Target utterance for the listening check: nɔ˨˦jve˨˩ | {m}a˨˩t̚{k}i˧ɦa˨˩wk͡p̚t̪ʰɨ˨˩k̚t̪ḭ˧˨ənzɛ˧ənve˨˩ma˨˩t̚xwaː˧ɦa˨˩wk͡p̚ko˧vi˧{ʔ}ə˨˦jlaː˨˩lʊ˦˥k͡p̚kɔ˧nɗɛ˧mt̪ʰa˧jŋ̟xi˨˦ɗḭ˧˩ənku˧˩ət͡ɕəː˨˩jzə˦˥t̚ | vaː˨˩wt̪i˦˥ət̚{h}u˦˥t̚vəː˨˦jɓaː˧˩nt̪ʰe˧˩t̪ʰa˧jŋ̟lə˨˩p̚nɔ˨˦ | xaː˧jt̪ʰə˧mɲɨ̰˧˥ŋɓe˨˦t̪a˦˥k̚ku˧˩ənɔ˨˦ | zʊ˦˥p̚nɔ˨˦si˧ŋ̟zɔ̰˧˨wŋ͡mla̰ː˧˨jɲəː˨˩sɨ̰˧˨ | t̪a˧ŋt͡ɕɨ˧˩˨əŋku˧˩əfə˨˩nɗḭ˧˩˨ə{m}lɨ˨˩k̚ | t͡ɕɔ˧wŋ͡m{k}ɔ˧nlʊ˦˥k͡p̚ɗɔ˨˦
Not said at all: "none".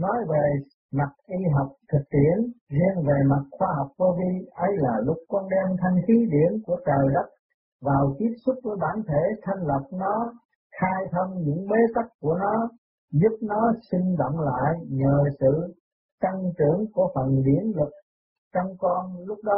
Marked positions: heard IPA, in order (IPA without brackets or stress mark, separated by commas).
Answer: m, ʔ, ʔ, s, n, k